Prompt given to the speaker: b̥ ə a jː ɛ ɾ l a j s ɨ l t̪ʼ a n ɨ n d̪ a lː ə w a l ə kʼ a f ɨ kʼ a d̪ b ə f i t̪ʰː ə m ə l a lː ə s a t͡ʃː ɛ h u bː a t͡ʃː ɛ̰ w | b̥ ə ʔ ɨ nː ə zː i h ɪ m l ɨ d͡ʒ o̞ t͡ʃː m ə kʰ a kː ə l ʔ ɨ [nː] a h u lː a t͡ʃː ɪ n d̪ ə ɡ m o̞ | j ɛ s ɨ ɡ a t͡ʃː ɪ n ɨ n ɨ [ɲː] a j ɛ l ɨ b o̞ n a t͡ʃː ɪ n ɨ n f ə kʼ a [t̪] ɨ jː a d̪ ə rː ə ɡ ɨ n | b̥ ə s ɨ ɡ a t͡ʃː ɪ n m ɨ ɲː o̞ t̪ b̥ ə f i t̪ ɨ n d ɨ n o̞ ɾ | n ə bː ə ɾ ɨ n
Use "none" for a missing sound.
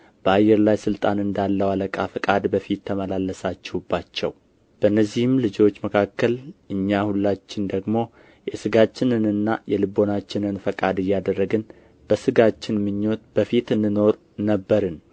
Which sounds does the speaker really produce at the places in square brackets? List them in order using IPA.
ɲː, nː, d̪

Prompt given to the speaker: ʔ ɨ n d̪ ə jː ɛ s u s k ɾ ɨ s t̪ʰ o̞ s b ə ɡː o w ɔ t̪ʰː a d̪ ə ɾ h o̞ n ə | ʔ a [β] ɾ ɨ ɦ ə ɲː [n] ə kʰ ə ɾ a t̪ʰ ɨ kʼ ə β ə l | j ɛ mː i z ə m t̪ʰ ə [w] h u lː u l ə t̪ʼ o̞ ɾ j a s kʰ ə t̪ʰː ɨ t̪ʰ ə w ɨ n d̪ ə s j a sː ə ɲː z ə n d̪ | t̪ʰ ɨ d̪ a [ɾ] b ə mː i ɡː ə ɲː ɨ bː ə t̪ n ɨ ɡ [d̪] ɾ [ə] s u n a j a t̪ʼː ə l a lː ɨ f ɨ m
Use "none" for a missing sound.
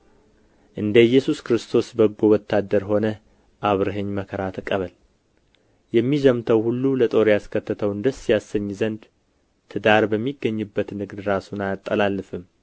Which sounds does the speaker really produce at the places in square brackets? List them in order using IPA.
β, m, w, ɾ, d̪, a

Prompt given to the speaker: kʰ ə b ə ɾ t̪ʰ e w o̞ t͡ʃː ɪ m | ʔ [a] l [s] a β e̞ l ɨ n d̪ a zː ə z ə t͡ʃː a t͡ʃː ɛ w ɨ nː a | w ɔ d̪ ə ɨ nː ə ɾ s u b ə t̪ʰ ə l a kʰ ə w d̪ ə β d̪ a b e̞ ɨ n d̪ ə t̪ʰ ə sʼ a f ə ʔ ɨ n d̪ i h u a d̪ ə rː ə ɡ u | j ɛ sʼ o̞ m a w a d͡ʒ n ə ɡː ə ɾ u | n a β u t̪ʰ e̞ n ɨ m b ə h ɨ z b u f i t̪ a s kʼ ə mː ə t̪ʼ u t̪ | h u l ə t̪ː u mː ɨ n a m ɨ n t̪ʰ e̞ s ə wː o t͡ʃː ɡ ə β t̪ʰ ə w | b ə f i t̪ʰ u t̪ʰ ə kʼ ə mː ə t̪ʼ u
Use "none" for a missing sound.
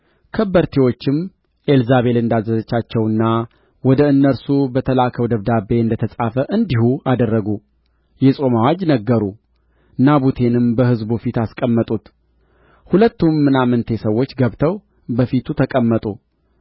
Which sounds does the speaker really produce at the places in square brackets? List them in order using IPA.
e, z

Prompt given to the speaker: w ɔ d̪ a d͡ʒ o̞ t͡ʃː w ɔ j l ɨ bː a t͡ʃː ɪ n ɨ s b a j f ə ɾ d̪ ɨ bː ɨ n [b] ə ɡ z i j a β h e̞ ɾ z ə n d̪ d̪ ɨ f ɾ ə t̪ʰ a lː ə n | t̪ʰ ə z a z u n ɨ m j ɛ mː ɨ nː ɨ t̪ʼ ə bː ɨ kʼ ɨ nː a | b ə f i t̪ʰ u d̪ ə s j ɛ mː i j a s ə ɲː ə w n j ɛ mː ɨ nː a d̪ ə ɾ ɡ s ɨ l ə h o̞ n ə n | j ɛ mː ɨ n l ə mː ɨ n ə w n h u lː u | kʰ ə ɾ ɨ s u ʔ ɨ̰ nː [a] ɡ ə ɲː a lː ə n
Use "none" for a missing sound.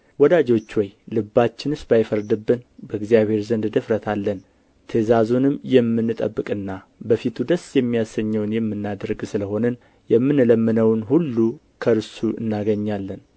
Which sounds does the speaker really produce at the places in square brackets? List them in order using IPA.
b, a

